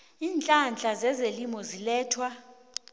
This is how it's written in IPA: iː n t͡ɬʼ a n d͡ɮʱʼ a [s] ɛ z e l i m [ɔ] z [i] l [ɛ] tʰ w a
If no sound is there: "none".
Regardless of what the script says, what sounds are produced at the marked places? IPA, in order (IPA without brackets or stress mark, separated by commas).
z, ɔ, i, ɛː